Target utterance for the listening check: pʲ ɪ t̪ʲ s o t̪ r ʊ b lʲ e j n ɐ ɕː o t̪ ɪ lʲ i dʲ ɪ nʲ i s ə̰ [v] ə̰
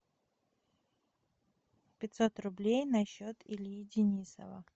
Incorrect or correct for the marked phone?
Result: correct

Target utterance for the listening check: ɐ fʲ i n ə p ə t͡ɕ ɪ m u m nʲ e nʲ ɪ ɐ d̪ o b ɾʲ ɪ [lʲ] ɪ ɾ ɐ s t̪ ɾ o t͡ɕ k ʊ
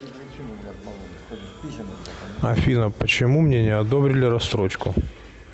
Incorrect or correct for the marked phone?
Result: correct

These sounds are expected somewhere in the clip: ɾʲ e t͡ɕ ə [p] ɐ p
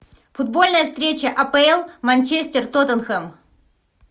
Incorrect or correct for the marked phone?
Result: incorrect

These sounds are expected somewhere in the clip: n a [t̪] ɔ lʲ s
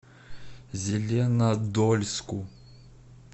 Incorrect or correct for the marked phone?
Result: incorrect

